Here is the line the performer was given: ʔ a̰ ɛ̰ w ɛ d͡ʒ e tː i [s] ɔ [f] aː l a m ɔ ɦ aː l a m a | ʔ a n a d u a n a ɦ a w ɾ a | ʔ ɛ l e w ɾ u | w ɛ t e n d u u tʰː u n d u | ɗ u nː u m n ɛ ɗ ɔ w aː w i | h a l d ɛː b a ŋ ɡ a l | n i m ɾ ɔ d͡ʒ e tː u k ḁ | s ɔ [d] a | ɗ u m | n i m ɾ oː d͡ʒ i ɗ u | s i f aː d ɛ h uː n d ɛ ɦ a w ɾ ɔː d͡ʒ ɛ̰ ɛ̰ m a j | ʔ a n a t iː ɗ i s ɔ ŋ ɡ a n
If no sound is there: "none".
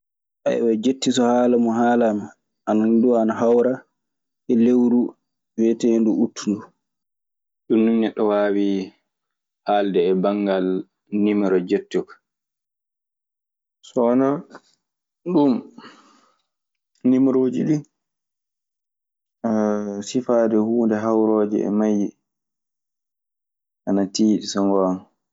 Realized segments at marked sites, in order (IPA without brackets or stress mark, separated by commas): s, h, n